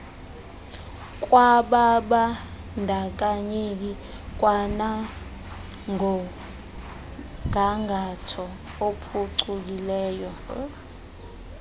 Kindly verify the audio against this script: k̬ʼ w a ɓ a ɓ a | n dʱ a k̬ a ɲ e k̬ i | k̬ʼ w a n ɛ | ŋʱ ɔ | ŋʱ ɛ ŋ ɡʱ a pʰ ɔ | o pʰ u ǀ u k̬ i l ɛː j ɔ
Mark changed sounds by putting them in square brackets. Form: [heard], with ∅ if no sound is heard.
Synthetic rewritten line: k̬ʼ w a ɓ a ɓ a | n dʱ a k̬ a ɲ e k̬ i | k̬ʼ w a n [a] | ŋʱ ɔ | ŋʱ [a] ŋ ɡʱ a [tʰ] ɔ | o pʰ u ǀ u k̬ i l ɛː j ɔ

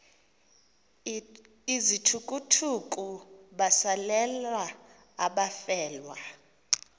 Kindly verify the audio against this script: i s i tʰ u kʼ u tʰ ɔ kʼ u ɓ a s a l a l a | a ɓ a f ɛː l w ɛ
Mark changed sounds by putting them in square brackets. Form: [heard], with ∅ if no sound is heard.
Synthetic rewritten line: i [z] i tʰ u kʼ u tʰ [u] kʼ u ɓ a s a l [ɛ] l a | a ɓ a f ɛː l w [a]

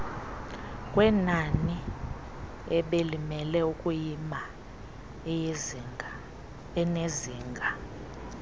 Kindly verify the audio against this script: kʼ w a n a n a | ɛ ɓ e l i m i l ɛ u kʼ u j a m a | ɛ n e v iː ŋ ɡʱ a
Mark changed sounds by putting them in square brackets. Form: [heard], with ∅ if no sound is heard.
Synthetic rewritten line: kʼ w [ɛ] n a n [i] | ɛ ɓ e l i m [ɛ] l ɛ u kʼ u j [i] m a | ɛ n e [z] iː ŋ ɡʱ a

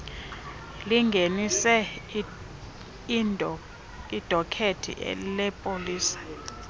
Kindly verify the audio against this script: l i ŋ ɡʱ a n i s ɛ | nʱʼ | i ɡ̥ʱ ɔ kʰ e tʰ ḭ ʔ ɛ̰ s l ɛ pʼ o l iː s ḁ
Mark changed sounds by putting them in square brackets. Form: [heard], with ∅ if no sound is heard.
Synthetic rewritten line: l i ŋ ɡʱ [e] n i s ɛ | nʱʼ | i [d̥ʱ] ɔ kʰ e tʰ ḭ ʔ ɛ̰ [∅] l ɛ pʼ o l iː s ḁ

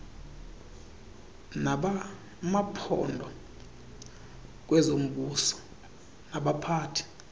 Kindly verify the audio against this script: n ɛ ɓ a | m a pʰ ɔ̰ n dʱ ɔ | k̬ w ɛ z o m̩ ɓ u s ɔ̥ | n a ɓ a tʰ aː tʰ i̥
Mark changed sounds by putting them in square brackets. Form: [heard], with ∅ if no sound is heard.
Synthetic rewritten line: n [a] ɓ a | m a pʰ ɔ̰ n dʱ ɔ | k̬ w ɛ z o m̩ ɓ u s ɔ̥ | n a ɓ a [pʰ] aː tʰ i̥

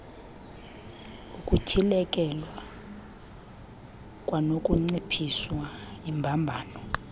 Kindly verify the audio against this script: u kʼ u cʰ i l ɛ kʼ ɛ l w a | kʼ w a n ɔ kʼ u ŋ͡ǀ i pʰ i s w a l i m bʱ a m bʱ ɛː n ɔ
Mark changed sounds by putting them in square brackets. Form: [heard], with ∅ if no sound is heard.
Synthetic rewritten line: u kʼ u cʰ i l ɛ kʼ ɛ l w a | kʼ w a n [o] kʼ u ŋ͡ǀ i pʰ i s w a [∅] i m bʱ a m bʱ [aː] n ɔ

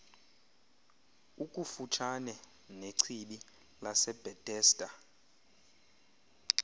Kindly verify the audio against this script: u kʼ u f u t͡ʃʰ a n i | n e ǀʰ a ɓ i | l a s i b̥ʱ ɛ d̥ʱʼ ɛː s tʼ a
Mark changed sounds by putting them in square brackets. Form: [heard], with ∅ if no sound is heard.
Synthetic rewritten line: u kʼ u f u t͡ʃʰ a n [ɛ] | n e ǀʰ [i] ɓ i | l a s [ɛ] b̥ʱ ɛ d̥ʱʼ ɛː s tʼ a

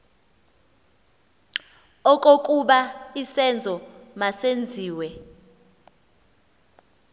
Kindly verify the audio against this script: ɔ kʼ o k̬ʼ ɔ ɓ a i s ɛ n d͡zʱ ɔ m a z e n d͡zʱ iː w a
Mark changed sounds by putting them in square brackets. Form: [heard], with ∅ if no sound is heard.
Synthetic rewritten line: ɔ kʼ o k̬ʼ [u] ɓ a i s ɛ n d͡zʱ ɔ m a [s] e n d͡zʱ iː w [ɛ]

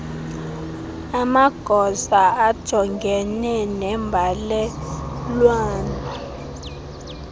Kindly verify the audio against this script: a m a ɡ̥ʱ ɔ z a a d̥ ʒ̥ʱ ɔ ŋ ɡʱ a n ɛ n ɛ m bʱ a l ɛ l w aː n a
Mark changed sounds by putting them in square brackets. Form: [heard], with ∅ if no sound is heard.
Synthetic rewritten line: a m a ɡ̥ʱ ɔ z a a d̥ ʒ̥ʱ ɔ ŋ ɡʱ [ɛ] n ɛ n ɛ m bʱ a l ɛ l w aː n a

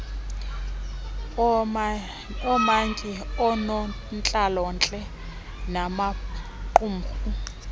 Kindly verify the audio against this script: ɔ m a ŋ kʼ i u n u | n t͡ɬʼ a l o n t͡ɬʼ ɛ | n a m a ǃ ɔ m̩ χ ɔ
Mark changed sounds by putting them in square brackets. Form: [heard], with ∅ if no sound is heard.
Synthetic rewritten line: ɔ m a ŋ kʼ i [ɔ] n [ɔ] | n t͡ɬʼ a l [ɔ] n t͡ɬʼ ɛ | n a m a ǃ [u] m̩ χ [u]

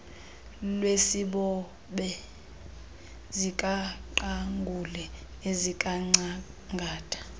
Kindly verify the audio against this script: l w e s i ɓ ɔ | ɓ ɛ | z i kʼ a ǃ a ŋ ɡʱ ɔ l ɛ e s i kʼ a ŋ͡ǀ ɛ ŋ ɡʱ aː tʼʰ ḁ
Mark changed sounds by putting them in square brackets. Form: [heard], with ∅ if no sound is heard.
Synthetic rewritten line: l w e s i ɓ ɔ | ɓ ɛ | z i kʼ a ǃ a ŋ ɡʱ [u] l ɛ e [z] i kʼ a ŋ͡ǀ [a] ŋ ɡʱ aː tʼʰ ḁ

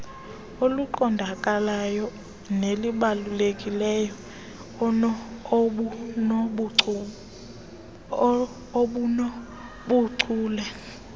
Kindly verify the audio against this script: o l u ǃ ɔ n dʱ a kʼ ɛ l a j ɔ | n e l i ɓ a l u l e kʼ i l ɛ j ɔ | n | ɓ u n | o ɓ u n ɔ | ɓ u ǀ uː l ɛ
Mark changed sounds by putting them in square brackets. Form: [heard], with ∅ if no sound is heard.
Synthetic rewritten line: o l u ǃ ɔ n dʱ a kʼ [a] l a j ɔ | n e l i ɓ a l u l e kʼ i l ɛ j ɔ | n | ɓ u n | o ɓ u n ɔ | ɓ u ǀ uː l ɛ

